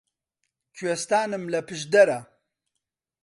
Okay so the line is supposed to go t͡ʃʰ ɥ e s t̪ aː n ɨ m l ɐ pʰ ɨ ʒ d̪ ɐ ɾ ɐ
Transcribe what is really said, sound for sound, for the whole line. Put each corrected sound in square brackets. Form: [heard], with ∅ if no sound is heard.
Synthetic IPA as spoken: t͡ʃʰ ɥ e s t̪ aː n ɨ m l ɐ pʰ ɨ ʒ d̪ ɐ ɾ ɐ

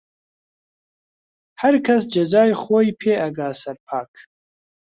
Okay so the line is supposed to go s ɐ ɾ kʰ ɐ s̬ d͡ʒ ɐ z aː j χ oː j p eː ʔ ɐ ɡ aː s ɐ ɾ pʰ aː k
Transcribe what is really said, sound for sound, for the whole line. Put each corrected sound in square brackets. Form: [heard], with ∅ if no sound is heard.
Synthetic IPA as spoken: [h] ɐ ɾ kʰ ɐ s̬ d͡ʒ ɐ z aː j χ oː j [pʰ] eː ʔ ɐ ɡ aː s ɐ ɾ pʰ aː k

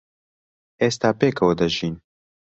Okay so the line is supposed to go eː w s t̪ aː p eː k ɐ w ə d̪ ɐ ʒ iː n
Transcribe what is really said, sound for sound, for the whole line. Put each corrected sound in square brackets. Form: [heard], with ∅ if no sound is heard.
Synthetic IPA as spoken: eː [∅] s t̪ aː p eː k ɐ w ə d̪ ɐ ʒ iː n

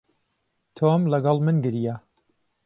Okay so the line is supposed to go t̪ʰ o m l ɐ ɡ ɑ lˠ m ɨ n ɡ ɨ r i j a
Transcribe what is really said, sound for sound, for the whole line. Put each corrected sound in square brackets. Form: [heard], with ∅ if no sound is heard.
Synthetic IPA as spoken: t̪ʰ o m l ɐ ɡ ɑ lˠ m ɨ n ɡ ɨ [ɾ] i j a

